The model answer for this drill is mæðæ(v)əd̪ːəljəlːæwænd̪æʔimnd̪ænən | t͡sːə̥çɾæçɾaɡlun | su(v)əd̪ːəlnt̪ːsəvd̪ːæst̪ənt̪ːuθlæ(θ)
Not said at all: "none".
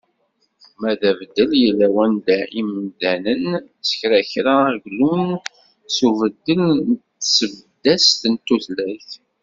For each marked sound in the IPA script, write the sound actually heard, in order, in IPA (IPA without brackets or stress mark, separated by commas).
v, v, θ